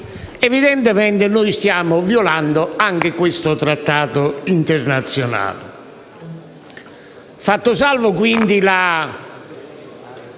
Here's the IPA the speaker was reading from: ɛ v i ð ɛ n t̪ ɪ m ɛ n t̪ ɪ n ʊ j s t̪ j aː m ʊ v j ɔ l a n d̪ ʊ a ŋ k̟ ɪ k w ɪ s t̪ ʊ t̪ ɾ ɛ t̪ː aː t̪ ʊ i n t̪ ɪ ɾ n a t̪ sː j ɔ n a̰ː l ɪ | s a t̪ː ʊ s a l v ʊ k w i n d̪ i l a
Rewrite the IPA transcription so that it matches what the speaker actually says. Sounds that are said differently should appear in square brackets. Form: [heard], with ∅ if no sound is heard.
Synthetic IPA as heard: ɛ v i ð ɛ n t̪ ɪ m ɛ n t̪ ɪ n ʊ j s t̪ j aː m ʊ v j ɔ l a n d̪ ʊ a ŋ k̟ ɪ k w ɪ s t̪ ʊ t̪ ɾ [a] t̪ː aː t̪ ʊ i n t̪ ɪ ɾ n a t̪ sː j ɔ n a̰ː l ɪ | [f] a t̪ː ʊ s a l v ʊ k w i n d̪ i l a